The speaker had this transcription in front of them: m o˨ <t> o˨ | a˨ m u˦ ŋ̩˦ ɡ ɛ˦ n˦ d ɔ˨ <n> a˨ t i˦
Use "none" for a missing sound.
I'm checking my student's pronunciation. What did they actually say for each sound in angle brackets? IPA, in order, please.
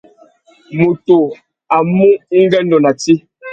t, n

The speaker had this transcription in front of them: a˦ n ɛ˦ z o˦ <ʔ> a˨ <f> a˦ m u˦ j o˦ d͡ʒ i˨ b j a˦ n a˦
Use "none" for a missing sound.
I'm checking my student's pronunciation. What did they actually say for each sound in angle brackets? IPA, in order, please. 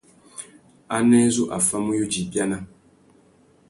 ʔ, f

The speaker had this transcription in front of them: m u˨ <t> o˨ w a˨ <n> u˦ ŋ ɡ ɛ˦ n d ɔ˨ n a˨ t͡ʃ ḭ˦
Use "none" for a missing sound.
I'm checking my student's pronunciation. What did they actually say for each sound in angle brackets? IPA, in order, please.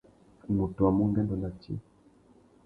t, m

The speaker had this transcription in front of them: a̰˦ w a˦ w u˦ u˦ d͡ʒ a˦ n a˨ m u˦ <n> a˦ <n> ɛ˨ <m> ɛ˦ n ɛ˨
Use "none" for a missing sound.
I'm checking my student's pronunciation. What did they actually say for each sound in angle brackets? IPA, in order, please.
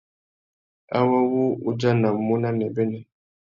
n, n, b

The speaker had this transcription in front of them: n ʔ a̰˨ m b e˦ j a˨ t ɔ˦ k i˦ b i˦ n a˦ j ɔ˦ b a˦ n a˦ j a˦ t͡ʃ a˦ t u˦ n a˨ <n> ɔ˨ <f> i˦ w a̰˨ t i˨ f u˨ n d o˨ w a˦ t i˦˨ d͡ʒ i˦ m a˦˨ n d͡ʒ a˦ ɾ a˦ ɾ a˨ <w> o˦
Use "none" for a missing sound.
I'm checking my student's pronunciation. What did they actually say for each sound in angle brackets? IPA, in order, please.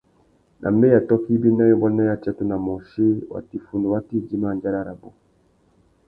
m, ʃ, b

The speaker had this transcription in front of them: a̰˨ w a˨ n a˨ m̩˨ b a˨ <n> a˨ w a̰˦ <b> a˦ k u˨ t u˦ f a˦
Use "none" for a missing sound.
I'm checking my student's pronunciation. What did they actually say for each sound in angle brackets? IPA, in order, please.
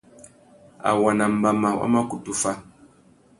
m, m

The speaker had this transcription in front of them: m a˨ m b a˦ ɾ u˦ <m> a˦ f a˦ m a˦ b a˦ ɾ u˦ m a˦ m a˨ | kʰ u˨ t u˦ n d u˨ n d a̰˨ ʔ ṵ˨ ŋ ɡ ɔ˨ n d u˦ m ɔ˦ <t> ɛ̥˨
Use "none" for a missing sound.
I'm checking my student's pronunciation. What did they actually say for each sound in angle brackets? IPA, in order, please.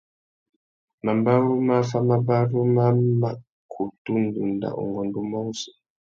m, s

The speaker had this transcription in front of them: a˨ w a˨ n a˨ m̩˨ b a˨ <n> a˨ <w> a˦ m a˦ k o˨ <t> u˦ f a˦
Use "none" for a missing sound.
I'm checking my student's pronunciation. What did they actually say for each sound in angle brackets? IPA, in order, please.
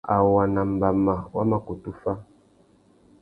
m, w, t

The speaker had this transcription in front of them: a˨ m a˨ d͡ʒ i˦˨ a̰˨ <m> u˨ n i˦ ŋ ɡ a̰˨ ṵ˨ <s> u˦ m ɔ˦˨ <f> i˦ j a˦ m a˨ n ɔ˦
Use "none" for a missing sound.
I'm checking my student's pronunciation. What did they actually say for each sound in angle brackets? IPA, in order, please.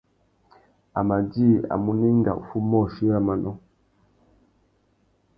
m, f, ʃ

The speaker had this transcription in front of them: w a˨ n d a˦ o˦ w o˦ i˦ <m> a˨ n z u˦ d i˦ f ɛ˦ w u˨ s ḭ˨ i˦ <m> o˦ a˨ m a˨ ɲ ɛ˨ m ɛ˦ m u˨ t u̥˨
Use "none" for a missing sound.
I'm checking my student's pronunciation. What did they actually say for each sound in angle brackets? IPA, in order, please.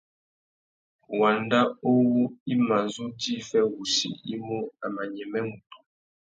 m, m

